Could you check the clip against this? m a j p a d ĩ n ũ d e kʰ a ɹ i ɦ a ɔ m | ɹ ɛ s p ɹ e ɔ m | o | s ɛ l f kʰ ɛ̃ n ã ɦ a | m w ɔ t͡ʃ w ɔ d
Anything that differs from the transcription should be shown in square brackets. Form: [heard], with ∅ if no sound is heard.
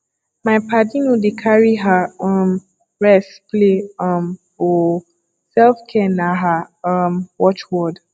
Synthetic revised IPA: m a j p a d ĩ n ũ d e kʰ a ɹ i ɦ a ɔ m | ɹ ɛ s p [l] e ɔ m | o | s ɛ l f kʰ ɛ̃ n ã ɦ a | m w ɔ t͡ʃ w ɔ d

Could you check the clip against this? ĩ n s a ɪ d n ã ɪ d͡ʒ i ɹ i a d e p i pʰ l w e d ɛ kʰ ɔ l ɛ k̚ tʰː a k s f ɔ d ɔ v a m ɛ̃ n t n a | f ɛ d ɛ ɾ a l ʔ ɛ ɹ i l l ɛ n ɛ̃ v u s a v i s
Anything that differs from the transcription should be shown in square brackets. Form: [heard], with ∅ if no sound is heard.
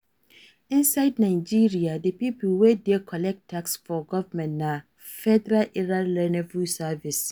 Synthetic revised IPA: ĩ n s a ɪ d n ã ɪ d͡ʒ i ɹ i a d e p i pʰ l w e d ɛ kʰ ɔ l ɛ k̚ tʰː a k s f ɔ [ɡ] ɔ v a m ɛ̃ n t n a | f ɛ d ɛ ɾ a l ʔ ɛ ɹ [a] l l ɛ n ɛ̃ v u s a v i s

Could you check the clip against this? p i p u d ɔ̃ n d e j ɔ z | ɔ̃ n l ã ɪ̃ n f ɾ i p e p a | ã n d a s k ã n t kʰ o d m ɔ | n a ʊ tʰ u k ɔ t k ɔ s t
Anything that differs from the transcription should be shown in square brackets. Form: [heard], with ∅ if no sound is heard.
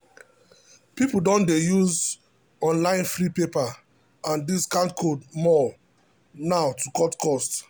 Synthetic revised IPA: p i p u d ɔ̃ n d e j [u] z | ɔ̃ n l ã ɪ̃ n f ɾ i p e p a | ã n d [i] s k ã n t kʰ o d m ɔ | n a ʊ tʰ u k ɔ t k ɔ s t

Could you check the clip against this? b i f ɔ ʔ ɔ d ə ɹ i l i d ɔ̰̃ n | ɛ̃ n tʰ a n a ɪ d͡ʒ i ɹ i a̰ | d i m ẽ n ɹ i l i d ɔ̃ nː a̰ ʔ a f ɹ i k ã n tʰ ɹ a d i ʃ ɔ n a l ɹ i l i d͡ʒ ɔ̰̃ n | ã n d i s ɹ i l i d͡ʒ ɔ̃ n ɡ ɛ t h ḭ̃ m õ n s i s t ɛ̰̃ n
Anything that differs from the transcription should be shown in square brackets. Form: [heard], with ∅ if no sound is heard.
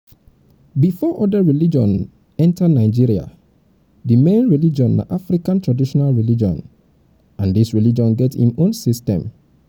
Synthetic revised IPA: b i f ɔ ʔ ɔ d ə ɹ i l i [d͡ʒ] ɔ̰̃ n | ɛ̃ n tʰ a n a ɪ d͡ʒ i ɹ i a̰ | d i m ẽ n ɹ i l i [d͡ʒ] ɔ̃ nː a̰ ʔ a f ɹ i k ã n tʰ ɹ a d i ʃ ɔ n a l ɹ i l i d͡ʒ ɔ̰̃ n | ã n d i s ɹ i l i d͡ʒ ɔ̃ n ɡ ɛ t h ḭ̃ m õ n s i s t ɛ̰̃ [m]

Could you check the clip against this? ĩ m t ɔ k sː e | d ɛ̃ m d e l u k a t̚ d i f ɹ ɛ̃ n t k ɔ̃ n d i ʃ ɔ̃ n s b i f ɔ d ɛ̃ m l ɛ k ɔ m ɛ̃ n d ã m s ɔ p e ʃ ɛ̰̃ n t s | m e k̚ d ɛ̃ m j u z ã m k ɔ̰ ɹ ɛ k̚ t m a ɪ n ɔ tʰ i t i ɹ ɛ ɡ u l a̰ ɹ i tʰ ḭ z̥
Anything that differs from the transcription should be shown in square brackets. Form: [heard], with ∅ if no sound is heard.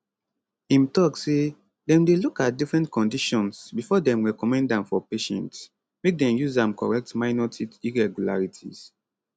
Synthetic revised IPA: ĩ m t ɔ k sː e | d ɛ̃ m d e l u k a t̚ d i f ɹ ɛ̃ n t k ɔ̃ n d i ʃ ɔ̃ n s b i f ɔ d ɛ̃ m [ɹ] ɛ k ɔ m ɛ̃ n d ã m [f] ɔ p e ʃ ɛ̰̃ n t s | m e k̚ d ɛ̃ m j u z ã m k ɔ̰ ɹ ɛ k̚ t m a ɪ n ɔ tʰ i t i ɹ ɛ ɡ u l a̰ ɹ i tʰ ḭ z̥

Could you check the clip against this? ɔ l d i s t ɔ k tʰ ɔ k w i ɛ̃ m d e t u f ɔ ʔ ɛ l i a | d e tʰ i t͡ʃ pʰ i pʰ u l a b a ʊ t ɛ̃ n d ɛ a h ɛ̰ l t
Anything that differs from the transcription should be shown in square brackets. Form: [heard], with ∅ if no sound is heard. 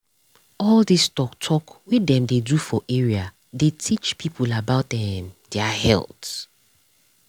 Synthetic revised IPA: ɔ l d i s t ɔ k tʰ ɔ k w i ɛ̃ m d e [d] u f ɔ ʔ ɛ [ɹ] i a | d e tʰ i t͡ʃ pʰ i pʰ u l a b a ʊ t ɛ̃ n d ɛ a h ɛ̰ l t

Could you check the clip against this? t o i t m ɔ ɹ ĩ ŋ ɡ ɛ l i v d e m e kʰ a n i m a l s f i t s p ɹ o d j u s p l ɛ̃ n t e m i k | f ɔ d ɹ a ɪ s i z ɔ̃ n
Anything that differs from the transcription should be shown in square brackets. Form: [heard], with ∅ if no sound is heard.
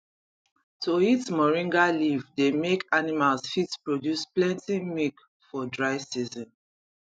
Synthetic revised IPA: t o i t m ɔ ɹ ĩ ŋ ɡ [a] l i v d e m e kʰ a n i m a l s f i t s p ɹ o d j u s p l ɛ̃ n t [i] m i k | f ɔ d ɹ a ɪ s i z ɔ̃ n

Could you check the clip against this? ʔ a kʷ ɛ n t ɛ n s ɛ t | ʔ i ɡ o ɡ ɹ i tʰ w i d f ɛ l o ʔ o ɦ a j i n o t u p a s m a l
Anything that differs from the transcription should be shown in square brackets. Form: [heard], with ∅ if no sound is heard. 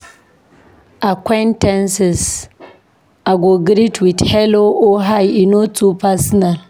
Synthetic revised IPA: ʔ a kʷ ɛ n t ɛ n s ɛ [s] | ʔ [a] ɡ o ɡ [ɾ] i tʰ w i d [h] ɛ l o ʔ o ɦ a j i n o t u p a s [n] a l

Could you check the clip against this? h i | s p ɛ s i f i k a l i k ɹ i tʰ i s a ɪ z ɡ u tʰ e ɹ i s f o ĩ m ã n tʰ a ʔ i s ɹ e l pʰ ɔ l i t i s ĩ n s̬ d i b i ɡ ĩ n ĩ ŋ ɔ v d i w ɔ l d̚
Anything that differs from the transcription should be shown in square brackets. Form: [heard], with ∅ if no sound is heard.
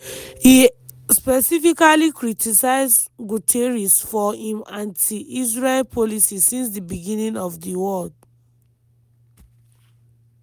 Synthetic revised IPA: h i | s p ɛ s i f i k a l i k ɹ i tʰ i s a ɪ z ɡ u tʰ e ɹ i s f [ɔ] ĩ m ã n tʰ [i] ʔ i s ɹ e l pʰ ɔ l i [s] i s ĩ n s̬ d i b i ɡ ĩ n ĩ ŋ ɔ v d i w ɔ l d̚

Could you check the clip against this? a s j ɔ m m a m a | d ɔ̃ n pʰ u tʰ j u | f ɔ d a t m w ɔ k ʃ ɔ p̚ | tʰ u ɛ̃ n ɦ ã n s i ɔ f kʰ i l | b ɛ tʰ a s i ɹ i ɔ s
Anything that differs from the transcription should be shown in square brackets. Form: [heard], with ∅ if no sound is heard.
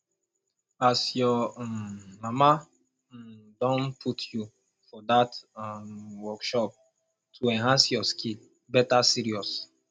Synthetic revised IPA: a s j ɔ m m a m a | d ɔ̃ n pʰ u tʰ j u | f ɔ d a t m w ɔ k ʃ ɔ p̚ | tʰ u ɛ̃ n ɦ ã n s [j] ɔ [s] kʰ i l | b ɛ [t] a s i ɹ i ɔ s

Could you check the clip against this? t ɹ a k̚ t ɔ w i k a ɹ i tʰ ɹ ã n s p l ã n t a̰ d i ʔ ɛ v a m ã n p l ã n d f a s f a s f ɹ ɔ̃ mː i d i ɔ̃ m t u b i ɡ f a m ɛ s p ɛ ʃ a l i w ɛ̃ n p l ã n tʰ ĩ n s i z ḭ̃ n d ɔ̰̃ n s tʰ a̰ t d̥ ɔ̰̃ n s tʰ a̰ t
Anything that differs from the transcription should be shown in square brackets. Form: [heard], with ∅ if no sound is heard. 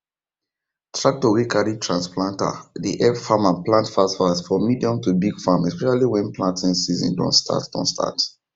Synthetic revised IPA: t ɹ a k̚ t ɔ w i k a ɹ i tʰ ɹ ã n s p l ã n t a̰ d i ʔ ɛ [f] a m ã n p l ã n [t] f a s f a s f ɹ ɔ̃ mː i d i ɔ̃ m t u b i ɡ f a m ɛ s p ɛ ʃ a l i w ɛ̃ n p l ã n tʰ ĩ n s i z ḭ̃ n d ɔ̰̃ n s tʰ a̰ t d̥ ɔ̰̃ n s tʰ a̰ t

